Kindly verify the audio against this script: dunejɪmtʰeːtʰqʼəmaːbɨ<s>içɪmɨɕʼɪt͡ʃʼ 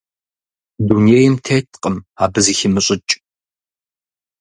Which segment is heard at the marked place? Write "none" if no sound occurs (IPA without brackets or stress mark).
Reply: z